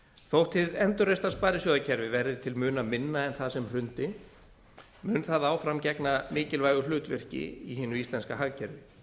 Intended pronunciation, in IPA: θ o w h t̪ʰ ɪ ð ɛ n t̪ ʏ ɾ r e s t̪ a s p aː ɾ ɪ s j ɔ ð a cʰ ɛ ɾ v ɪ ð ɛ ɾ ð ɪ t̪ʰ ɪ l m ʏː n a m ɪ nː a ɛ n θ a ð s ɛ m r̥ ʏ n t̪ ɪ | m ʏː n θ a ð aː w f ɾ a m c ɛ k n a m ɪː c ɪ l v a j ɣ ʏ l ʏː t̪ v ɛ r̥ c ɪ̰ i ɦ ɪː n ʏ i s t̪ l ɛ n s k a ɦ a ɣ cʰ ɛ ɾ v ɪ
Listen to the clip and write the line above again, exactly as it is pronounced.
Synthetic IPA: θ o w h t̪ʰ ɪ ð ɛ n t̪ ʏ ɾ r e s t̪ a s p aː ɾ ɪ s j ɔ ð a cʰ ɛ ɾ v ɪ v ɛ ɾ ð ɪ t̪ʰ ɪ l m ʏː n a m ɪ nː a ɛ n θ a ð s ɛ m r̥ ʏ n t̪ ɪ | m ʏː n θ a ð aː w f ɾ a m c ɛ k n a m ɪː c ɪ l v a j ɣ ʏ l ʏː t̪ v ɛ r̥ c ɪ̰ i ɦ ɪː n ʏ i s t̪ l ɛ n s k a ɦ a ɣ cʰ ɛ ɾ v ɪ